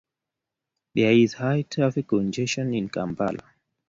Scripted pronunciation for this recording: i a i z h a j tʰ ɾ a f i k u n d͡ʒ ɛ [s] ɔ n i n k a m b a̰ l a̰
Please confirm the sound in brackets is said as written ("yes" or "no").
no